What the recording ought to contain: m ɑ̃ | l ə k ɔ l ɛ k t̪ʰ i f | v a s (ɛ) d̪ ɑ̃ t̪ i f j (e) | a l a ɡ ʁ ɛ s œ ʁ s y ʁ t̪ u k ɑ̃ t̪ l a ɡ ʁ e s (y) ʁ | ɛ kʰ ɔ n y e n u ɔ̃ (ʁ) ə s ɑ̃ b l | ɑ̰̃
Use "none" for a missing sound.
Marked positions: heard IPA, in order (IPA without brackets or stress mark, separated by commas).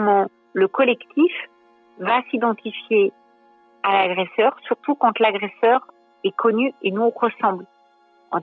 i, e, œ, ʁ